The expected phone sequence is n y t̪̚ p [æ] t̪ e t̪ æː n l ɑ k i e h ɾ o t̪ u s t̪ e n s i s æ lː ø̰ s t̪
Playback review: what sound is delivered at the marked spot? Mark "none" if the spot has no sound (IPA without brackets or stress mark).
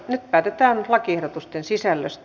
æː